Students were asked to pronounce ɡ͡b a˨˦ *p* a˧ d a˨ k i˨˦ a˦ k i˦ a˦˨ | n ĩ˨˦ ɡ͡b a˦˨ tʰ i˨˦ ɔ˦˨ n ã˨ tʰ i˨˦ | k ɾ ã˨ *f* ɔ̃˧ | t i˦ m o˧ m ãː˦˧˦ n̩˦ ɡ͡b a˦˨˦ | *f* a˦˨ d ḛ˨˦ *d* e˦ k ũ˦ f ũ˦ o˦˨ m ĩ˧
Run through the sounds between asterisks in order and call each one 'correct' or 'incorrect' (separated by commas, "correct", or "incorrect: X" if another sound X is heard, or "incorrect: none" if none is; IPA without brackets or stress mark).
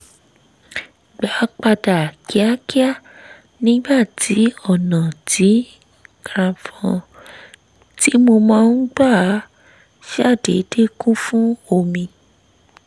incorrect: k͡p, correct, incorrect: ʃ, correct